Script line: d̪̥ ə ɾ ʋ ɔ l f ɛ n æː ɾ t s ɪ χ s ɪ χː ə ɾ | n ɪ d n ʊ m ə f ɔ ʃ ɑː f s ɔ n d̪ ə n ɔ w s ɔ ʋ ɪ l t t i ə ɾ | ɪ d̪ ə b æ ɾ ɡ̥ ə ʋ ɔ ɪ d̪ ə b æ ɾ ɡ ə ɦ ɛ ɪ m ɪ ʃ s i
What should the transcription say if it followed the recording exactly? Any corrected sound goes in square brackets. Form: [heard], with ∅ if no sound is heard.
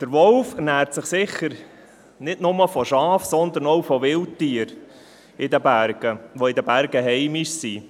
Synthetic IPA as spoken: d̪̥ ə ɾ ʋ ɔ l f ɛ n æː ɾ t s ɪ χ s ɪ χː ə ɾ | n ɪ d n ʊ m ə f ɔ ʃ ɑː f s ɔ n d̪ ə n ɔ w [f] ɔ ʋ ɪ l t t i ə ɾ | ɪ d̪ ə b æ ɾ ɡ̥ ə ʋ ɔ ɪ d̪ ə b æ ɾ ɡ ə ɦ ɛ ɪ m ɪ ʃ s i